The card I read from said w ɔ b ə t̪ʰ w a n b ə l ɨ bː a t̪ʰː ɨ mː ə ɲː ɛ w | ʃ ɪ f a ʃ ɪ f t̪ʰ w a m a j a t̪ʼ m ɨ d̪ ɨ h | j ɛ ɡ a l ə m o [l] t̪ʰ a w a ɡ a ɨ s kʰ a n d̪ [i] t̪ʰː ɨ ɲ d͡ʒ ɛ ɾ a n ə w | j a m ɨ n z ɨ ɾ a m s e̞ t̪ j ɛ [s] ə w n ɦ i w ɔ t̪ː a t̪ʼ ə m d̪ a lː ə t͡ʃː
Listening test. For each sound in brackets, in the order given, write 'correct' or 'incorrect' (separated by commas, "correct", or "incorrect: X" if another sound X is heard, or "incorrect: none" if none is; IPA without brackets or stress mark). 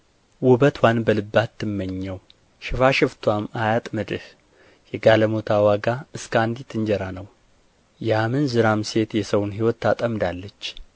incorrect: none, correct, correct